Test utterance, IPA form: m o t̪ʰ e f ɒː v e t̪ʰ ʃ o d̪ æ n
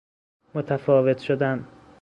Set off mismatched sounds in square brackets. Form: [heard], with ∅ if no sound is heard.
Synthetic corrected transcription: m o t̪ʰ [æ] f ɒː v e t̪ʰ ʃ o d̪ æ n